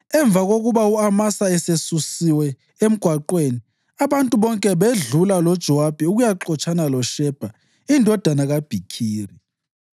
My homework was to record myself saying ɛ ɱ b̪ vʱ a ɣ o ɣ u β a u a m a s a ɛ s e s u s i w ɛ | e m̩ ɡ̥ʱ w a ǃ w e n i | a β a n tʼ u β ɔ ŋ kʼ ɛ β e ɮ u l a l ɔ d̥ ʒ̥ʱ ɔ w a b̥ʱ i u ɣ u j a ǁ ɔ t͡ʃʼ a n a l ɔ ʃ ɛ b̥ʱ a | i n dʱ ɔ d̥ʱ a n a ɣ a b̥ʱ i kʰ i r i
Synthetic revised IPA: ɛ ɱ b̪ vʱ a ɣ o ɣ u β a u a m a s a ɛ s e s u s i w ɛ | e m̩ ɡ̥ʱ w a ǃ w e n i | a β a n tʼ u β ɔ ŋ kʼ ɛ β e ɮ u l a l ɔ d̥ ʒ̥ʱ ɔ w a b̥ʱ i u ɣ u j a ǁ ɔ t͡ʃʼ a n a l ɔ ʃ ɛ b̥ʱ a | i n dʱ ɔ d̥ʱ a n a ɣ a b̥ʱ i kʰ iː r i

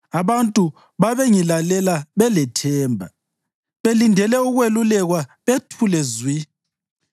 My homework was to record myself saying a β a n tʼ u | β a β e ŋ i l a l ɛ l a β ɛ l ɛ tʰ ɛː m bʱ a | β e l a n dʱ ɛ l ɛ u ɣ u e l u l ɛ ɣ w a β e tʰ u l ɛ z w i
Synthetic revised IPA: a β a n tʼ u | β a β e ŋ i l a l ɛ l a β ɛ l ɛ tʰ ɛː m bʱ a | β e l i n dʱ ɛ l ɛ u ɣ w e l u l ɛ ɣ w a β e tʰ u l ɛ z w i

